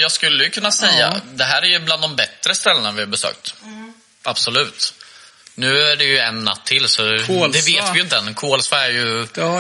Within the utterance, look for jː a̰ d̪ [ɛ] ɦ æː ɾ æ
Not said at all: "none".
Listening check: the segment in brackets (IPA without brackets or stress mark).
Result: ɛ